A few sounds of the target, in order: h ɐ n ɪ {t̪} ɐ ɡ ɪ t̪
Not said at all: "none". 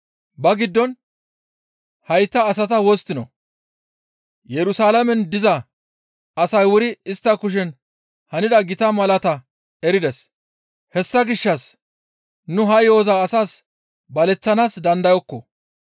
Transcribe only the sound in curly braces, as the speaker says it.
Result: d̪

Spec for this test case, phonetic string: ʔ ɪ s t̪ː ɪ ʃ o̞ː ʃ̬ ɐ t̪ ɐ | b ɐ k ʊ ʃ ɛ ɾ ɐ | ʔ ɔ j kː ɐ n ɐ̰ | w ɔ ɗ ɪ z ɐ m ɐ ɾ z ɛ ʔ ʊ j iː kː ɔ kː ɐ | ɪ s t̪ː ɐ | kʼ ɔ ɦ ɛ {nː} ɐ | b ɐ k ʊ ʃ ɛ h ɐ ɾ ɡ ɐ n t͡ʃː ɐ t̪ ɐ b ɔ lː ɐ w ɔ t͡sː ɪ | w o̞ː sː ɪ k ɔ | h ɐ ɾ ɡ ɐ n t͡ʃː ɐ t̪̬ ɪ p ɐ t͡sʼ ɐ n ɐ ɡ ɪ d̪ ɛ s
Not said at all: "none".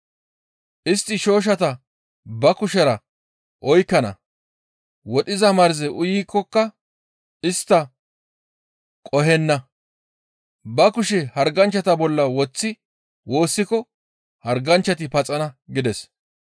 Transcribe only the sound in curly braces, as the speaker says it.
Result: nː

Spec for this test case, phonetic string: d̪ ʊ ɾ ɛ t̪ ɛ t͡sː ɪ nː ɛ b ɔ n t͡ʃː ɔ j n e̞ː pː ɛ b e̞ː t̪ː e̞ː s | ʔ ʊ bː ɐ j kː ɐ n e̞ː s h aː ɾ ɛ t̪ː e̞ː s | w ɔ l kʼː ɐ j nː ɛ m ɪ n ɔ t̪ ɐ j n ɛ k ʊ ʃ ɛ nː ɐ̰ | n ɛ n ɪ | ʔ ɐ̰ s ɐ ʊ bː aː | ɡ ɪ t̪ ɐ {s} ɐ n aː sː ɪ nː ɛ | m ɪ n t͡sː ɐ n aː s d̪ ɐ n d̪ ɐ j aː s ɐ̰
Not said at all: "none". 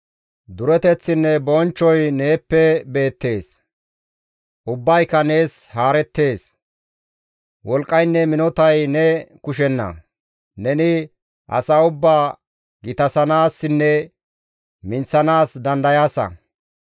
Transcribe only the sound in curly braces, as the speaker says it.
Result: s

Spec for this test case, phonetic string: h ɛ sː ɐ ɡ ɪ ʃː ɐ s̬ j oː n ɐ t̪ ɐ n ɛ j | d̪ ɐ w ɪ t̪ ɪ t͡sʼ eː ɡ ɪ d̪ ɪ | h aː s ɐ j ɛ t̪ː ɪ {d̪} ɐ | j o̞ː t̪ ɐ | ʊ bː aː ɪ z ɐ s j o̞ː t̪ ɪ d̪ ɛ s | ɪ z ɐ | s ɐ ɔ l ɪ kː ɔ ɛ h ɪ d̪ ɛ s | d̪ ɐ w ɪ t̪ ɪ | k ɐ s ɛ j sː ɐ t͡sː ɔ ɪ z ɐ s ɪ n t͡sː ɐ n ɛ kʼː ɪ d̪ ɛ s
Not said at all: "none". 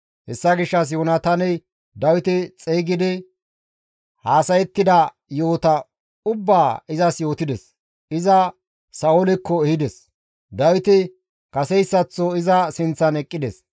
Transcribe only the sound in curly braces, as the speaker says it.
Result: d̪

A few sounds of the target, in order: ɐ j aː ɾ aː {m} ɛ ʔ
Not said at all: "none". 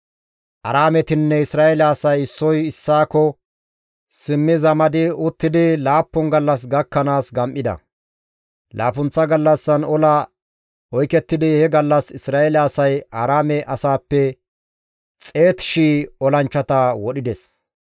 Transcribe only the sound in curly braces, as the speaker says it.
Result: m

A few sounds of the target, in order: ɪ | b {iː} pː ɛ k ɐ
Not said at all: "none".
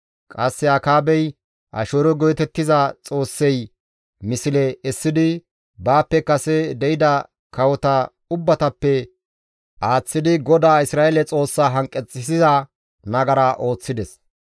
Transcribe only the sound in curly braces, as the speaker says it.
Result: aː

